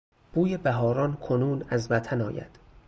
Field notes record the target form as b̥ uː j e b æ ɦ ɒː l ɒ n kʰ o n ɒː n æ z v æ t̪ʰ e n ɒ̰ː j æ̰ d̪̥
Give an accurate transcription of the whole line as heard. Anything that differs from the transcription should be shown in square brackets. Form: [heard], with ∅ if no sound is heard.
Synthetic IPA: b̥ uː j e b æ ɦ ɒː [ɾ] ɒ n kʰ o n [uː] n æ z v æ t̪ʰ [æ] n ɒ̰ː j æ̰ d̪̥